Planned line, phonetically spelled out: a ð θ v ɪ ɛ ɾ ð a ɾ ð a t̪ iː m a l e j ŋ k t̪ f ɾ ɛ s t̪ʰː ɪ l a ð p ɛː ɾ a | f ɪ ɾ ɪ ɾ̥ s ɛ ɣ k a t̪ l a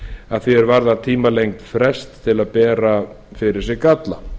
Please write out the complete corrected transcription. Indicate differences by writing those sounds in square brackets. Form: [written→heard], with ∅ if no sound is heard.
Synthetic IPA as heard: a ð θ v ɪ ɛ ɾ [ð→v] a ɾ ð a [t̪→t̪ʰ] iː m a l e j ŋ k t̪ f ɾ ɛ s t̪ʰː ɪ l a ð p ɛː ɾ a | f ɪ ɾ ɪ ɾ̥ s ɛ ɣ k a t̪ l a